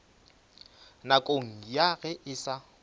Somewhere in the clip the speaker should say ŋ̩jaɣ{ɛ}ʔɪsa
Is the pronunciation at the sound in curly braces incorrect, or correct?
correct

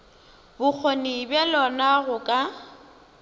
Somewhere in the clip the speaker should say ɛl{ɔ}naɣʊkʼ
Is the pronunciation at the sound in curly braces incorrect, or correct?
correct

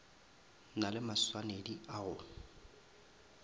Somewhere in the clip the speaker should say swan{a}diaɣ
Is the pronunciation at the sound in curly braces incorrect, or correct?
incorrect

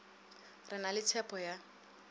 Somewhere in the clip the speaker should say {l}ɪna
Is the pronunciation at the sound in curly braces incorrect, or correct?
incorrect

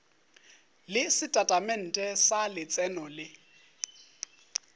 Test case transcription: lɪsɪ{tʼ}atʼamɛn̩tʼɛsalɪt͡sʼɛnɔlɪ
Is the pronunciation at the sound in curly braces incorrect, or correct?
correct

